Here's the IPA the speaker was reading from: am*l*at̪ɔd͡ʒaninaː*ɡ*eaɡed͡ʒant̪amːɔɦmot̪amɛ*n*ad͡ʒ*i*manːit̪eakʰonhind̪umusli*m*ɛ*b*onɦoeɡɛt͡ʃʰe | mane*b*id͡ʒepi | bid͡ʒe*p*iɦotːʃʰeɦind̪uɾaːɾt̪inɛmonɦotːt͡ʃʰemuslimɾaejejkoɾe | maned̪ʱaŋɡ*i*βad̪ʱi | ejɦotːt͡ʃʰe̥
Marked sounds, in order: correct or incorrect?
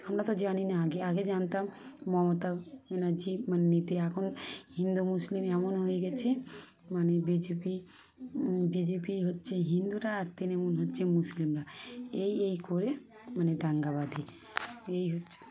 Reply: incorrect, correct, correct, correct, correct, incorrect, correct, correct, incorrect

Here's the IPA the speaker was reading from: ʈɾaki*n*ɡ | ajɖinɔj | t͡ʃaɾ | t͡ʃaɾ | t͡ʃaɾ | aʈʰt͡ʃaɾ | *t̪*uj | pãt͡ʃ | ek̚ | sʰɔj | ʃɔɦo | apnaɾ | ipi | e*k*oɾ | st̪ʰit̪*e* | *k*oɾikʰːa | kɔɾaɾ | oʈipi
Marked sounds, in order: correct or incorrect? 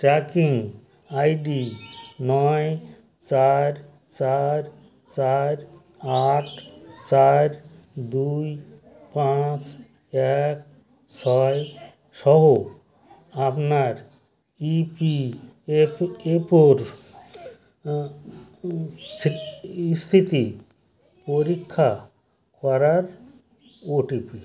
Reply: incorrect, incorrect, incorrect, incorrect, incorrect

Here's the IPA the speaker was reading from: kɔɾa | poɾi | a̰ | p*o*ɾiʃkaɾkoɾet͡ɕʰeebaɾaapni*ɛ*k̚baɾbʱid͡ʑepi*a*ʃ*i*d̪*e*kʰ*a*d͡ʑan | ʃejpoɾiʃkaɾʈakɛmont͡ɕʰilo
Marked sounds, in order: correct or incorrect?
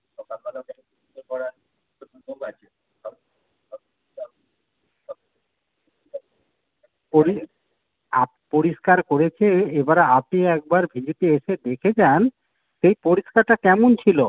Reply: correct, correct, incorrect, incorrect, correct, incorrect

